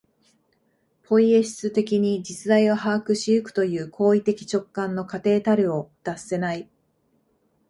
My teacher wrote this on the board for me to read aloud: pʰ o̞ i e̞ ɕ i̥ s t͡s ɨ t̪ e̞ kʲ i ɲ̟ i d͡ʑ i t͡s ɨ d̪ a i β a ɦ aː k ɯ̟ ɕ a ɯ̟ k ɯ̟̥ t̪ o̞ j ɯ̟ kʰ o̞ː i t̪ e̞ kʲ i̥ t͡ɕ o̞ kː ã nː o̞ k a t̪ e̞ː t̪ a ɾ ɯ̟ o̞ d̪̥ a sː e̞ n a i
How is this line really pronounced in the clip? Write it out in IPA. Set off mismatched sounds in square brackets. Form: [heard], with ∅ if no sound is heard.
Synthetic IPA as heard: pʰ o̞ i e̞ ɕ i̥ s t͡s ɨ t̪ e̞ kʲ i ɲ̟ i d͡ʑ i t͡s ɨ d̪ a i β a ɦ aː k ɯ̟ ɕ [i] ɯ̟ k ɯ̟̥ t̪ o̞ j [ɯ̟ː] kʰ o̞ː i t̪ e̞ kʲ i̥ t͡ɕ o̞ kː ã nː o̞ k a t̪ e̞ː t̪ a ɾ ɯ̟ o̞ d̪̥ a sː e̞ n a i

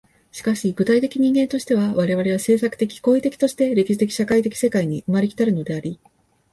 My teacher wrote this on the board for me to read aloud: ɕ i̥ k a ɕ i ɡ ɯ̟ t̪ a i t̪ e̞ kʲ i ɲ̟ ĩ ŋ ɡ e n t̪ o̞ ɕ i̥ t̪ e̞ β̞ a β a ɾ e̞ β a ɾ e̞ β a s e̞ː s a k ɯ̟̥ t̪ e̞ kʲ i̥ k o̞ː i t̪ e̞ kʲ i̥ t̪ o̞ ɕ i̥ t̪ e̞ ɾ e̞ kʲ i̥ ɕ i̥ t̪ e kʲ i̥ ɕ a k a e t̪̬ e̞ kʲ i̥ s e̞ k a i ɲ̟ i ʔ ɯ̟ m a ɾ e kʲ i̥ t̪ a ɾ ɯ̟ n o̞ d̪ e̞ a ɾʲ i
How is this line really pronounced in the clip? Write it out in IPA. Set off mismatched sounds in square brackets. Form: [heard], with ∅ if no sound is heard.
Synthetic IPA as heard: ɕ i̥ k a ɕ i ɡ ɯ̟ t̪ a i t̪ e̞ kʲ i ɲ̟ ĩ ŋ ɡ e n t̪ o̞ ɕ i̥ t̪ e̞ β̞ a β a ɾ e̞ β a ɾ e̞ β a s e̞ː s a k ɯ̟̥ t̪ e̞ kʲ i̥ k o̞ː i t̪ e̞ kʲ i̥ t̪ o̞ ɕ i̥ t̪ e̞ ɾ e̞ kʲ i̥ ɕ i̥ t̪ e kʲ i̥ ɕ a k a [i] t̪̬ e̞ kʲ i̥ s e̞ k a i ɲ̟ i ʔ ɯ̟ m a ɾ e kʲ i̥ t̪ a ɾ ɯ̟ n o̞ d̪ e̞ a ɾʲ i

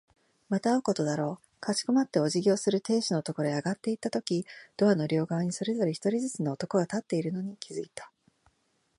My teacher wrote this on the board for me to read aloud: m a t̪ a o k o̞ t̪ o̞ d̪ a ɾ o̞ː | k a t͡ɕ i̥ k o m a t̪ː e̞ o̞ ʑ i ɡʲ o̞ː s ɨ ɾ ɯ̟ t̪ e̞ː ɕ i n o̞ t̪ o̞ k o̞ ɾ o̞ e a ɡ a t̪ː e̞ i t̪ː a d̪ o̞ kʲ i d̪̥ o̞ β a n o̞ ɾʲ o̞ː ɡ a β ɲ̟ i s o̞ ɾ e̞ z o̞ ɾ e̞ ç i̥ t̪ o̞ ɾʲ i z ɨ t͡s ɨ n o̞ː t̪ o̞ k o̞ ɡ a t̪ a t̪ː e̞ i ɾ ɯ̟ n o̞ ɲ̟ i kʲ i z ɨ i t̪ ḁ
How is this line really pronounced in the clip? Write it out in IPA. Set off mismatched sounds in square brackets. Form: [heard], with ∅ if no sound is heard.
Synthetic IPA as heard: m a t̪ a o k o̞ t̪ o̞ d̪ a ɾ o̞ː | k a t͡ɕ i̥ k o m a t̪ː e̞ o̞ ʑ i ɡʲ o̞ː s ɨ ɾ ɯ̟ t̪ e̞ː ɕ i n o̞ t̪ o̞ k o̞ ɾ o̞ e a ɡ a t̪ː e̞ i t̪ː a [t̪] o̞ kʲ i d̪̥ o̞ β a n o̞ ɾʲ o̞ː ɡ a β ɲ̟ i s o̞ ɾ e̞ z o̞ ɾ e̞ ç i̥ t̪ o̞ ɾʲ i z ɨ t͡s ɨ n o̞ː t̪ o̞ k o̞ ɡ a t̪ a t̪ː e̞ i ɾ ɯ̟ n o̞ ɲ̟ i kʲ i z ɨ i t̪ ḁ

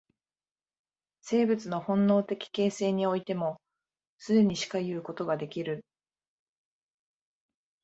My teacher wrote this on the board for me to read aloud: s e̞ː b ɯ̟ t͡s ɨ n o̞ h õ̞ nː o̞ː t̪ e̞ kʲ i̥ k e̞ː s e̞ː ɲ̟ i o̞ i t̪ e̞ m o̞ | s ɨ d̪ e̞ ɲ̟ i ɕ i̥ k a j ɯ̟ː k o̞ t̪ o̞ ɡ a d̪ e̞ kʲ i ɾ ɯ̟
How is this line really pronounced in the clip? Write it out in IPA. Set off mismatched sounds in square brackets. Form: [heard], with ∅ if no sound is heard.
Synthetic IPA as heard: s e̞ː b ɯ̟ t͡s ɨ n o̞ h õ̞ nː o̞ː t̪ e̞ kʲ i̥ k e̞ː s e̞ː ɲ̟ i o̞ i t̪ e̞ m o̞ | s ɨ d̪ e̞ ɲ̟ i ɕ i̥ k a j ɯ̟ː k o̞ t̪ o̞ ɡ a d̪ e̞ kʲ i ɾ ɯ̟

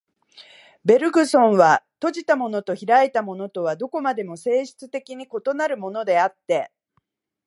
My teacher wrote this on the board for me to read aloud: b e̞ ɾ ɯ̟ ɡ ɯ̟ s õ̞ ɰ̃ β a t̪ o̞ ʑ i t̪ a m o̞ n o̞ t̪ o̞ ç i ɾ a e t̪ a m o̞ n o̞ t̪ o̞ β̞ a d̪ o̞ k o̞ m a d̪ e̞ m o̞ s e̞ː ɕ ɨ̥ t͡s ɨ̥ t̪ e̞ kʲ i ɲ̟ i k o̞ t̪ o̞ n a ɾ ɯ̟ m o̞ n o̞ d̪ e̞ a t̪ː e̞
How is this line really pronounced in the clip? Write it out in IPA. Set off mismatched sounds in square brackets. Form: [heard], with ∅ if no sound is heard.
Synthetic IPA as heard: b e̞ ɾ ɯ̟ ɡ ɯ̟ s õ̞ ɰ̃ β a t̪ o̞ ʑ i t̪ a m o̞ n o̞ t̪ o̞ ç i ɾ a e t̪ a m o̞ n o̞ t̪ o̞ β̞ a d̪ o̞ k o̞ m a d̪ e̞ m o̞ s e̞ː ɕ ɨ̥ t͡s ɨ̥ t̪ e̞ kʲ i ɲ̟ i k o̞ t̪ o̞ n a ɾ ɯ̟ m o̞ n o̞ d̪ e̞ a t̪ː e̞

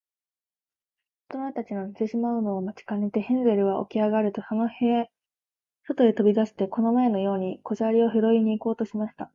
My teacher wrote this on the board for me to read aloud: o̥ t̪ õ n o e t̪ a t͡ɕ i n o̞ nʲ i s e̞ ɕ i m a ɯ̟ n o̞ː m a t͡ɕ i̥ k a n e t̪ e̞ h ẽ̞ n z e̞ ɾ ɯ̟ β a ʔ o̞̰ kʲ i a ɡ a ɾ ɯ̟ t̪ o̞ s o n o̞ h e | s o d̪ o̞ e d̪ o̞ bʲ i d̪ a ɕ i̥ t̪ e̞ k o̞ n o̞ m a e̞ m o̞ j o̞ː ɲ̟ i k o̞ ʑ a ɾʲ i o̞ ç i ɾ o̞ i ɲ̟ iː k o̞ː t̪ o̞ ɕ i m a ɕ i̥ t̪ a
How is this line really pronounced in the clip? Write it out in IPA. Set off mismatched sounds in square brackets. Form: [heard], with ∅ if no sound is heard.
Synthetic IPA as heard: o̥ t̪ [o] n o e t̪ a t͡ɕ i n o̞ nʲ i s e̞ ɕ i m a ɯ̟ n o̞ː m a t͡ɕ i̥ k a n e t̪ e̞ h ẽ̞ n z e̞ ɾ ɯ̟ β a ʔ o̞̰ kʲ i a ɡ a ɾ ɯ̟ t̪ o̞ s o n o̞ h e | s o [t̪] o̞ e [t̪] o̞ bʲ i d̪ a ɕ i̥ t̪ e̞ k o̞ n o̞ m a e̞ [n] o̞ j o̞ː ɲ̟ i k o̞ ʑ a ɾʲ i o̞ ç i ɾ o̞ i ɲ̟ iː k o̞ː t̪ o̞ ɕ i m a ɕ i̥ t̪ a

